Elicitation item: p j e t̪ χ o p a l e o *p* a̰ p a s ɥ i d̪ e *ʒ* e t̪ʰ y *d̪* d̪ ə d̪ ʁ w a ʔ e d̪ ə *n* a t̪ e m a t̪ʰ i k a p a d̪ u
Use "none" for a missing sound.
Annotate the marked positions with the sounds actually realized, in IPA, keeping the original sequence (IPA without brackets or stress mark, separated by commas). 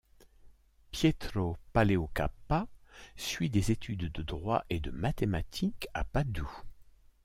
k, z, d̪, m